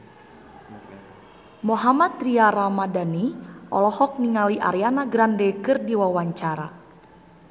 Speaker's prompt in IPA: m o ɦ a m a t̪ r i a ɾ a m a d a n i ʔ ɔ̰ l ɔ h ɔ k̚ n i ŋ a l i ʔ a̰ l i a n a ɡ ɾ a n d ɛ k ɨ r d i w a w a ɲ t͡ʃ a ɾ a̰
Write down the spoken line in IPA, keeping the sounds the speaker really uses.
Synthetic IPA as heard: m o ɦ a m a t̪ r i a ɾ a m a d a n i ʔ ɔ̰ l ɔ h ɔ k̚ n i ŋ a l i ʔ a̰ ɾ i a n a ɡ ɾ a n d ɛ k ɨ r d i w a w a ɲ t͡ʃ a ɾ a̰

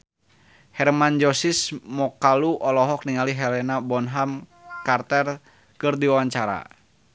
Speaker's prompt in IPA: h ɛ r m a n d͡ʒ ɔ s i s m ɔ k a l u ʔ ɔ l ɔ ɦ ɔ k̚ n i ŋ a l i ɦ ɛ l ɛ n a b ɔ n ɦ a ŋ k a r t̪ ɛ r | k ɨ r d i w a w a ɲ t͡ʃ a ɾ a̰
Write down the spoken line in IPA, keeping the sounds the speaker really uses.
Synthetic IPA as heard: h ɛ r m a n d͡ʒ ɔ s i s m ɔ k a l u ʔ ɔ l ɔ ɦ ɔ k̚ n i ŋ a l i ɦ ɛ l ɛ n a b ɔ n ɦ a m k a r t̪ ɛ r | k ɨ r d i w a w a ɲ t͡ʃ a ɾ a̰

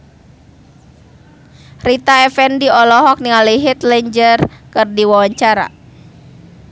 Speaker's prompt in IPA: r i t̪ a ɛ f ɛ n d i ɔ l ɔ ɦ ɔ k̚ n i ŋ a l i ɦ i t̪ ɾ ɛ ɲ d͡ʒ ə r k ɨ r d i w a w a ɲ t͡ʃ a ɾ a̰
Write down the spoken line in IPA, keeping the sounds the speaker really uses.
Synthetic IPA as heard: r i t̪ a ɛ f ɛ n d i ɔ l ɔ ɦ ɔ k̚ n i ŋ a l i ɦ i t̪ l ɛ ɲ d͡ʒ ə r k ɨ r d i w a w a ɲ t͡ʃ a ɾ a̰

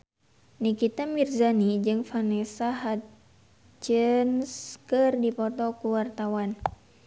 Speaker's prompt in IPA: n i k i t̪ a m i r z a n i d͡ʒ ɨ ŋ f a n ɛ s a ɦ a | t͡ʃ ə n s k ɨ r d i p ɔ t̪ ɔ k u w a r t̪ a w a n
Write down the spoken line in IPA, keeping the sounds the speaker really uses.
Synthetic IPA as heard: n i k i t̪ a m i r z a n i d͡ʒ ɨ ŋ f a n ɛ s a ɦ a | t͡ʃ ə n s k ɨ r d i p ɔ t̪ ɔ k u w a r t̪ a w a n

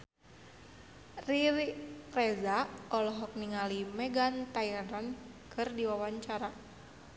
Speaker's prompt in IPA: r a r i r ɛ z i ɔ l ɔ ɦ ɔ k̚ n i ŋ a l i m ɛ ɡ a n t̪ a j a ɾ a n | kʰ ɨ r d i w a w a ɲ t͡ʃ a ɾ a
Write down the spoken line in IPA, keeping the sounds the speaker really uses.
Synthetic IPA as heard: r i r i r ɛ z a ɔ l ɔ ɦ ɔ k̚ n i ŋ a l i m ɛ ɡ a n t̪ a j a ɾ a n | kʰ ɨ r d i w a w a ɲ t͡ʃ a ɾ a

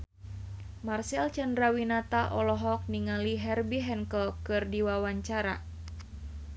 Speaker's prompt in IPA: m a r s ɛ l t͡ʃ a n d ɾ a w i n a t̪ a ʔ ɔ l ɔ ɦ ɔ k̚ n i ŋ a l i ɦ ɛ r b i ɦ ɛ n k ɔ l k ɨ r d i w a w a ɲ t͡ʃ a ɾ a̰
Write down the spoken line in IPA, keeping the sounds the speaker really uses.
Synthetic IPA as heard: m a r s ɛ l t͡ʃ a n d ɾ a w i n a t̪ a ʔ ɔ l ɔ ɦ ɔ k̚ n i ŋ a l i ɦ ɛ r b i ɦ ɛ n k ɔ l k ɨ r d i w a w a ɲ t͡ʃ a ɾ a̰

